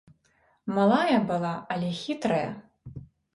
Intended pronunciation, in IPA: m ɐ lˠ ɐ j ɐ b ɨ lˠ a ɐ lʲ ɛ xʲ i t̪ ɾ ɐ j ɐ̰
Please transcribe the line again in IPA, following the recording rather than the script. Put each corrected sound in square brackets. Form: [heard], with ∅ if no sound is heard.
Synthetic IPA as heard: m [a] lˠ [a] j ɐ b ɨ lˠ a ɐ lʲ ɛ xʲ i t̪ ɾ ɐ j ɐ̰